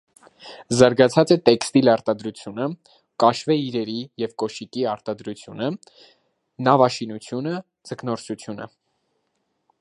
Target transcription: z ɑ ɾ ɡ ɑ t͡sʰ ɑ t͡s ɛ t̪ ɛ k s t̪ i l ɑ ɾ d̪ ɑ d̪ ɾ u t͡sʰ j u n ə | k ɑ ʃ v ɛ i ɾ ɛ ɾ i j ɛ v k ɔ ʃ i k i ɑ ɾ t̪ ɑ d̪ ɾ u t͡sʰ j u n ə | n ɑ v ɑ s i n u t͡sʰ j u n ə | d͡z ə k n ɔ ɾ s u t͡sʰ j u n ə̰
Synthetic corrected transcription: z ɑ ɾ ɡ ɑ t͡sʰ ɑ t͡s ɛ t̪ ɛ k s t̪ i l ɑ ɾ t̪ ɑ d̪ ɾ u t͡sʰ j u n ə | k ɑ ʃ v ɛ i ɾ ɛ ɾ i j ɛ v k ɔ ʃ i k i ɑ ɾ t̪ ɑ d̪ ɾ u t͡sʰ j u n ə | n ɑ v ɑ ʃ i n u t͡sʰ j u n ə | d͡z ə k n ɔ ɾ s u t͡sʰ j u n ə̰